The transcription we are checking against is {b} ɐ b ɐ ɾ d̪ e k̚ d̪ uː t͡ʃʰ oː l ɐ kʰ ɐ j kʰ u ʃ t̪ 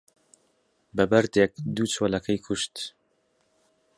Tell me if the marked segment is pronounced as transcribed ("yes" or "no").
yes